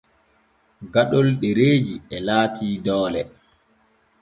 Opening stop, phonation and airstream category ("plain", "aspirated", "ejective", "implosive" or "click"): plain